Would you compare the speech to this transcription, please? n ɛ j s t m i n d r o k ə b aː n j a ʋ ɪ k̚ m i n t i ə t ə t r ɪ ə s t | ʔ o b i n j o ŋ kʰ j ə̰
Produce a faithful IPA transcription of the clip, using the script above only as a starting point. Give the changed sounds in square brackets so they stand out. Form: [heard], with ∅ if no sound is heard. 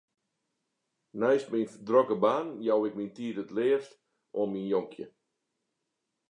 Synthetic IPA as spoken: n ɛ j s t m i n d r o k ə b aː n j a [w] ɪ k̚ m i n t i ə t ə t [l] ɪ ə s t | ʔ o [m] i n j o ŋ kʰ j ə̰